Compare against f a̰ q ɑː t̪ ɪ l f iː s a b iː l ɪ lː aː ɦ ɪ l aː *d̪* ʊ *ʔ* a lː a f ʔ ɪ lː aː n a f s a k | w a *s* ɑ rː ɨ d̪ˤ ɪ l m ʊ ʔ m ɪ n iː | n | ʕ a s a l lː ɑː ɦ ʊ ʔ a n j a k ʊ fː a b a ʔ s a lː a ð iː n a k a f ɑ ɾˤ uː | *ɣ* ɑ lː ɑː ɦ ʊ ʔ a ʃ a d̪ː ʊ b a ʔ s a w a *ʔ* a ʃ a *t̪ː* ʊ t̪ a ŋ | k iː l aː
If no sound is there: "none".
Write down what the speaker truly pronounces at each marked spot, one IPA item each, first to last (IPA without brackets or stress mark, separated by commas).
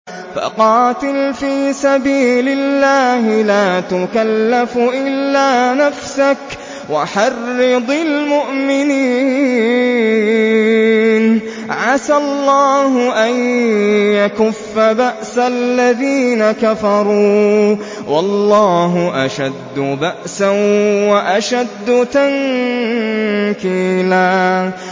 t̪, k, ħ, w, ʔ, d̪ː